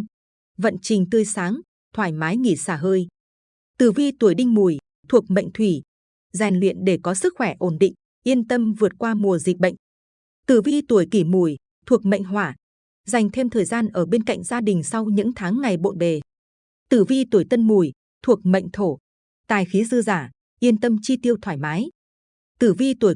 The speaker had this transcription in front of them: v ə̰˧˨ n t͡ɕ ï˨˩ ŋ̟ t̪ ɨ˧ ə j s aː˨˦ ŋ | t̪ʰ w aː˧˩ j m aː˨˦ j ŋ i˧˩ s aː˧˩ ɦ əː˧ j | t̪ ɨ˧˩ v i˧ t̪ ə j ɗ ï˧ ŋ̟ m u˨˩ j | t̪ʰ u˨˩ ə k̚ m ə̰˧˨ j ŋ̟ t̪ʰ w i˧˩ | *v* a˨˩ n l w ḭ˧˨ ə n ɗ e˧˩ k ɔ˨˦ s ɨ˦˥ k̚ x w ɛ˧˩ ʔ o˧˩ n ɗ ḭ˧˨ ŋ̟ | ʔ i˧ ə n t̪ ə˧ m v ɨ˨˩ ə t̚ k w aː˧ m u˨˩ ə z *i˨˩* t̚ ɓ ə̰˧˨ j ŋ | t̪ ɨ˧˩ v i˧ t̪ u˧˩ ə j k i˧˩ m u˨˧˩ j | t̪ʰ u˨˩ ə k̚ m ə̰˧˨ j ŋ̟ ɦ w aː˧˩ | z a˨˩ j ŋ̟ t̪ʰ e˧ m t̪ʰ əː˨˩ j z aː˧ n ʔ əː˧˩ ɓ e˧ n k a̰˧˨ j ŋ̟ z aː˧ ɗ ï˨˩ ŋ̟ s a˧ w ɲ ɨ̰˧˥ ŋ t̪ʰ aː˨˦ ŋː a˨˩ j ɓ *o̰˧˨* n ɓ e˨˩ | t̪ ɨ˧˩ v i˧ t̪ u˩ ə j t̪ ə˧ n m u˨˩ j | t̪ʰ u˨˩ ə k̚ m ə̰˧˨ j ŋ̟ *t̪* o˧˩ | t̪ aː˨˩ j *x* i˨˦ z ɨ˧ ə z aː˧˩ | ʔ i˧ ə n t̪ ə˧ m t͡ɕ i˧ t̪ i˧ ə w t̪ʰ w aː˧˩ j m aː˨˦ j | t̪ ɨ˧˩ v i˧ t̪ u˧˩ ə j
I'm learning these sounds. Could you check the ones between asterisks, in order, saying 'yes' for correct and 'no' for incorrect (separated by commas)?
no, yes, yes, no, yes